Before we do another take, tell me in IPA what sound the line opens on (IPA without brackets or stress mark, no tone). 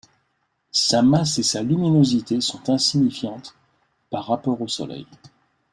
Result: s